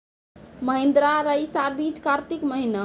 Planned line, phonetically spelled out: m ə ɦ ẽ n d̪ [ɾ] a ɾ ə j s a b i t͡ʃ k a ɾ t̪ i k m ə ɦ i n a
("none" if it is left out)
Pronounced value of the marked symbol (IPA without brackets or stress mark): ɾ